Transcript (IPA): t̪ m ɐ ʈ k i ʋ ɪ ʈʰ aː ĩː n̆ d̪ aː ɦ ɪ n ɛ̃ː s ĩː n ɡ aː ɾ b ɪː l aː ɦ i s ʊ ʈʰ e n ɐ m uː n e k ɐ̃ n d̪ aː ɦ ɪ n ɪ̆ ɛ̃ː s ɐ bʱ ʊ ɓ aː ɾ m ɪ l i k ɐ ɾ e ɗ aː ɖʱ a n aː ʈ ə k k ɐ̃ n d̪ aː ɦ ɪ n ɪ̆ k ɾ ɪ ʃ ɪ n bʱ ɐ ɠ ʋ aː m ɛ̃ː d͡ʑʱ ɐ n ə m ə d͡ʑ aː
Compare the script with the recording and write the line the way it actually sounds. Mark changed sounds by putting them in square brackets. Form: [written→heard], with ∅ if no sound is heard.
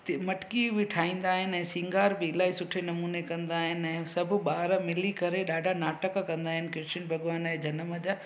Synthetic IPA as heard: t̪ m ɐ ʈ k i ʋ ɪ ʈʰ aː ĩː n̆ d̪ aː ɦ ɪ n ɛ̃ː s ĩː [n→ŋ] ɡ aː ɾ b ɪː l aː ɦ i s ʊ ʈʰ e n ɐ m uː n e k ɐ̃ n d̪ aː ɦ ɪ n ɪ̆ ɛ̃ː s ɐ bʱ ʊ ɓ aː ɾ m ɪ l i k ɐ ɾ e ɗ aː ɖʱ a n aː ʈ ə k k ɐ̃ n d̪ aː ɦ ɪ n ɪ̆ k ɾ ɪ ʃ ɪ n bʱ ɐ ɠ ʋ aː [m→n] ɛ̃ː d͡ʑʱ ɐ n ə m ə d͡ʑ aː

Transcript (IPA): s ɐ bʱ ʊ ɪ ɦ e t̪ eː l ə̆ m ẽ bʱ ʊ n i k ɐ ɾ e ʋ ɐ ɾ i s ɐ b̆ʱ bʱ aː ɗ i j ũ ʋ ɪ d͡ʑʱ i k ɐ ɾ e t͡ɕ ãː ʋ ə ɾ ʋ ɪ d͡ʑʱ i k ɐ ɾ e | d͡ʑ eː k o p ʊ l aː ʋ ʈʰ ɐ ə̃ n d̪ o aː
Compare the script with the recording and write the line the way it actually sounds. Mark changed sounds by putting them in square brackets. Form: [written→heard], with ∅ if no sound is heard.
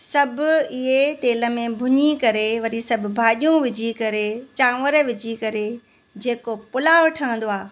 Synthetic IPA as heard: s ɐ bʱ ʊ ɪ ɦ e t̪ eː l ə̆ m ẽ bʱ ʊ [n→ɲ] i k ɐ ɾ e ʋ ɐ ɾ i s ɐ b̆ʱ bʱ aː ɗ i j ũ ʋ ɪ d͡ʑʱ i k ɐ ɾ e t͡ɕ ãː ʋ ə ɾ ʋ ɪ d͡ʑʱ i k ɐ ɾ e | d͡ʑ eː k o p ʊ l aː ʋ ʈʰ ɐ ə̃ n d̪ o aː

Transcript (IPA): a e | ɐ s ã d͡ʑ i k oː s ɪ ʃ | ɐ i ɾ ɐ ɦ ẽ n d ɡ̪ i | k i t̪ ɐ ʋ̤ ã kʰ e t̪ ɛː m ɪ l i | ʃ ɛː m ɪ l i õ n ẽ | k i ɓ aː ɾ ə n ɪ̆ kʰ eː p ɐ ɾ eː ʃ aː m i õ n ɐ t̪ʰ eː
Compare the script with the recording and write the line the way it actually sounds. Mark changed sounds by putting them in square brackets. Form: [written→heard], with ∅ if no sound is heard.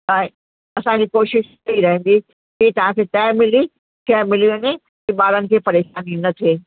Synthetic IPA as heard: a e | ɐ s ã d͡ʑ i k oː [s→ʃ] ɪ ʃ | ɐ i ɾ ɐ ɦ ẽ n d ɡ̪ i | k i t̪ ɐ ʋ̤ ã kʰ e t̪ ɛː m ɪ l i | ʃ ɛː m ɪ l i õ n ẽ | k i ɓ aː ɾ ə n ɪ̆ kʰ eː p ɐ ɾ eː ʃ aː [m→n] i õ n ɐ t̪ʰ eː

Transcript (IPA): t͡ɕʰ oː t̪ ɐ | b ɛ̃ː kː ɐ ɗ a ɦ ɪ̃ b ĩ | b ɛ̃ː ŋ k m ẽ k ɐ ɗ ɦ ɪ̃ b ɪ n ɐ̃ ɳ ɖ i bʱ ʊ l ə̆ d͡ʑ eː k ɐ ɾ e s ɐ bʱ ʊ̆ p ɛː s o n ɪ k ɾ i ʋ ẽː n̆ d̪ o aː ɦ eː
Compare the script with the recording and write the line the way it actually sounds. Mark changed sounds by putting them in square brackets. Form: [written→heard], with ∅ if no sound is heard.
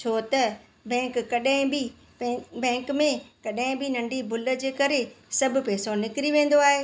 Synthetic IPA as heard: t͡ɕʰ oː t̪ ɐ | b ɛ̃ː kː ɐ ɗ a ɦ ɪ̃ b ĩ | b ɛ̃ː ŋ k m ẽ k ɐ ɗ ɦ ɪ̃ b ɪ n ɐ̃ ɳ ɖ i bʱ ʊ l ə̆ d͡ʑ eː k ɐ ɾ e s ɐ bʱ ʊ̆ p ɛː s o n ɪ k ɾ i ʋ ẽː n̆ d̪ o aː ɦ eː

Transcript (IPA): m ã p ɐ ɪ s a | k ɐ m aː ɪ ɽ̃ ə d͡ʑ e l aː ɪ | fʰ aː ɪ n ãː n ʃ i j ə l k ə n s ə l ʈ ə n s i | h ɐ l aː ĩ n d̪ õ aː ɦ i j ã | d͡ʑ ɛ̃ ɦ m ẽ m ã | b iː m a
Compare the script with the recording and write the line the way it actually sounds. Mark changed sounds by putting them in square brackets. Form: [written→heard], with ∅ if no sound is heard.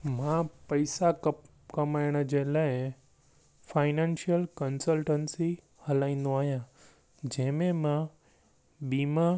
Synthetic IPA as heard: m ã p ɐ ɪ s a | k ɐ m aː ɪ ɽ̃ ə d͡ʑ e l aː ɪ | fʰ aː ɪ n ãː n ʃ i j ə l k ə n s ə l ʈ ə n s i | h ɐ l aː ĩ n d̪ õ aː ɦ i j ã | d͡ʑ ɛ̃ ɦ m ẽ m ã | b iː m a

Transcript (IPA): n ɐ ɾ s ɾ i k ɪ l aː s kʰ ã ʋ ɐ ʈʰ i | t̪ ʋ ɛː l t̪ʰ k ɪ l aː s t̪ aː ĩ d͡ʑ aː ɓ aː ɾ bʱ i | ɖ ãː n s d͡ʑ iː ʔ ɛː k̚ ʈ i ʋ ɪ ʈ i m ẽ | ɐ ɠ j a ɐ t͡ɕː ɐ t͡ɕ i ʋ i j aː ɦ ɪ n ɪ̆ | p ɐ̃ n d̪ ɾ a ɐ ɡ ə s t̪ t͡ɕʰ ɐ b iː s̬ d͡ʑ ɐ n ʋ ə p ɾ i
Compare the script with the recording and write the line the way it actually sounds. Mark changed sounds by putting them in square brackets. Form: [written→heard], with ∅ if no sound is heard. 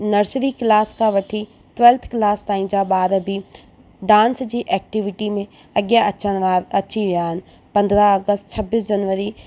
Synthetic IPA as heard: n ɐ ɾ s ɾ i k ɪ l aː s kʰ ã ʋ ɐ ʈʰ i | t̪ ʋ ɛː l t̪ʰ k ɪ l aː s t̪ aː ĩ d͡ʑ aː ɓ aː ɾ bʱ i | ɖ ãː n s d͡ʑ iː ʔ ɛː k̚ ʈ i ʋ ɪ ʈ i m ẽ | ɐ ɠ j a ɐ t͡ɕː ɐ t͡ɕ i ʋ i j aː ɦ ɪ n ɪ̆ | p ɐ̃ n d̪ ɾ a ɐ ɡ ə s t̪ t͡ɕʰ ɐ b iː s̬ d͡ʑ ɐ n ʋ ə [p→∅] ɾ i

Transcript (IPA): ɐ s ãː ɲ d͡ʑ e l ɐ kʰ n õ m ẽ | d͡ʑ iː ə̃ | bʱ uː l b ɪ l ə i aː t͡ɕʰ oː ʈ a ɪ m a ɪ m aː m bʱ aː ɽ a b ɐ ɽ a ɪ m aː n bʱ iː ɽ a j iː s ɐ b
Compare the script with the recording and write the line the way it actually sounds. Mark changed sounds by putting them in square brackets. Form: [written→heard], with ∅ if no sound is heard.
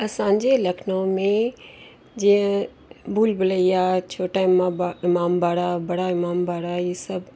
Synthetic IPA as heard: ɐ s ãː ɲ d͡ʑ e l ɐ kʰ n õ m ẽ | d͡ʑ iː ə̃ | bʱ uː l b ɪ l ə i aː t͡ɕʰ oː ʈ a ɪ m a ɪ m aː m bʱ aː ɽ a b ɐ ɽ a ɪ m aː [n→m] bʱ [iː→aː] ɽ a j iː s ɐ b

